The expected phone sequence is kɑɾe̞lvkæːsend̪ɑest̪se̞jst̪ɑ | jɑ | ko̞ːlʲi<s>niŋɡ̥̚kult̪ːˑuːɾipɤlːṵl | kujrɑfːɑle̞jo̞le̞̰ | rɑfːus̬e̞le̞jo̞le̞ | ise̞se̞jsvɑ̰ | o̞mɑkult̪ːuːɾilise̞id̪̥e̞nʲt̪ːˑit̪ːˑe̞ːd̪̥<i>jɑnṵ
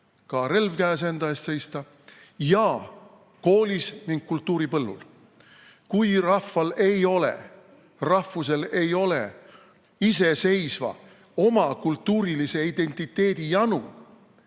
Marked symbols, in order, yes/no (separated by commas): yes, yes